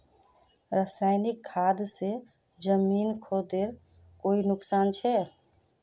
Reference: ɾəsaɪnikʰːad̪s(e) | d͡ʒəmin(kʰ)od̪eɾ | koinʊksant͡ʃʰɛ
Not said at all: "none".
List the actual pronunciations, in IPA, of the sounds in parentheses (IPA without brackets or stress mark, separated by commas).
e, kʰ